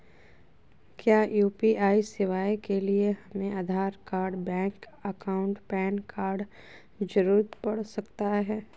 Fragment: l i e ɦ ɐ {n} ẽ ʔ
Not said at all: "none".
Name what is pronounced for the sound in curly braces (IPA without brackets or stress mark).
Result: m